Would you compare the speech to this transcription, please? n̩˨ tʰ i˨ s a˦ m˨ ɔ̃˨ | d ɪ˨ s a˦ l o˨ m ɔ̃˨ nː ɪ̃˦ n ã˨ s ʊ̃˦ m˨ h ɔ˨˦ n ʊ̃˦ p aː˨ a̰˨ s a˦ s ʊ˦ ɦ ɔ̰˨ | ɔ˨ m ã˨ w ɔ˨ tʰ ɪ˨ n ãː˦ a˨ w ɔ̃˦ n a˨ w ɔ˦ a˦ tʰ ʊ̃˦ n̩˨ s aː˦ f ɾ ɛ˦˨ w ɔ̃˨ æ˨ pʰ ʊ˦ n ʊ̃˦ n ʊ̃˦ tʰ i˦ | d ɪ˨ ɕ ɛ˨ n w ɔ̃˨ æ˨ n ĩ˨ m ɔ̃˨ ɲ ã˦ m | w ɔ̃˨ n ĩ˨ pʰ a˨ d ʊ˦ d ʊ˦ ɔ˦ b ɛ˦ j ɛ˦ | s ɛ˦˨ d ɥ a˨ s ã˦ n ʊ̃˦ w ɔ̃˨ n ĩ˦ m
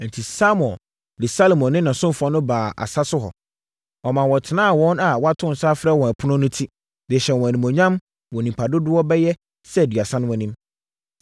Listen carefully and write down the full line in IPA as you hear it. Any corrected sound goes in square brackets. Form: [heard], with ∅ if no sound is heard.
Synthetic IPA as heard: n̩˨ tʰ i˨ s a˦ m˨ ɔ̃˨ | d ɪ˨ s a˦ l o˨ m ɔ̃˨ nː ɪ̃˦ n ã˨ s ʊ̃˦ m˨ [f] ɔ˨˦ n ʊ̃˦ [b] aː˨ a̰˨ s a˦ s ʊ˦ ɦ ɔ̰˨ | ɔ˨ m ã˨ w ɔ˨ tʰ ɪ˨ n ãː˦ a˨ w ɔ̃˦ n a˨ w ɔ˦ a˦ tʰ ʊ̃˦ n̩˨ s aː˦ f ɾ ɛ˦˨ w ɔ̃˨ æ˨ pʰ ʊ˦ n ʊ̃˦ n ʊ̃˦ tʰ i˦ | d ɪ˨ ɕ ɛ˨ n w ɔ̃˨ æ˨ n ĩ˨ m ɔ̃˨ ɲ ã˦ m | w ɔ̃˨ n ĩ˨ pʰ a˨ d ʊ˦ d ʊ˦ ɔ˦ b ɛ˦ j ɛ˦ | s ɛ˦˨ d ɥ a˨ s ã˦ n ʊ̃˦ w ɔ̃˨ n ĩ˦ m